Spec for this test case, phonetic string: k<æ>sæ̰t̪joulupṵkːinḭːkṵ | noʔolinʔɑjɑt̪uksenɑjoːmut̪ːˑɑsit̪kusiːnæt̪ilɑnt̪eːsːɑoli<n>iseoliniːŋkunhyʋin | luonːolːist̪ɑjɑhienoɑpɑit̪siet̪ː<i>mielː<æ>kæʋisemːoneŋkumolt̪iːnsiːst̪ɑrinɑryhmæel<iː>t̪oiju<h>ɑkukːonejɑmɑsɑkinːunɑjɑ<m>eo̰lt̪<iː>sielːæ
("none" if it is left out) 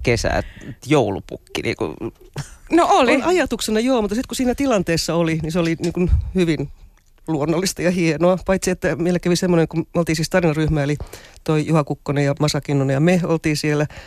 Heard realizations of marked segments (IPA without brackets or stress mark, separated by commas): e, n, æ, æ, i, h, m, iː